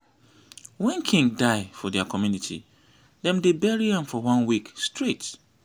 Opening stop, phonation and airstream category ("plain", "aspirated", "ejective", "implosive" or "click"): aspirated